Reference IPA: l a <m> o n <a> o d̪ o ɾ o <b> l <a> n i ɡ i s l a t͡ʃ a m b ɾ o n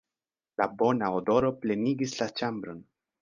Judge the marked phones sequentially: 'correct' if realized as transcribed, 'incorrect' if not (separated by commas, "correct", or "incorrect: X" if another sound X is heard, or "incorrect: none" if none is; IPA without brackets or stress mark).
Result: incorrect: b, correct, incorrect: p, incorrect: e